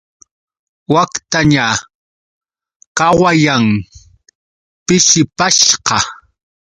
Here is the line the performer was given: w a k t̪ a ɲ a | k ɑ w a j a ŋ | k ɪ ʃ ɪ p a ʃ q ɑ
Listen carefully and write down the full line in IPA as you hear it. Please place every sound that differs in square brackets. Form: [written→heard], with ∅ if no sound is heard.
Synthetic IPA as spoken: w a k t̪ a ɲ a | k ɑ w a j a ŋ | [k→p] ɪ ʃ ɪ p a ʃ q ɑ